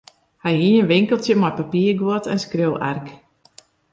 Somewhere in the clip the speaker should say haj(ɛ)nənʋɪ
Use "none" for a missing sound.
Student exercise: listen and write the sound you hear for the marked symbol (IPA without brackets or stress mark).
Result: i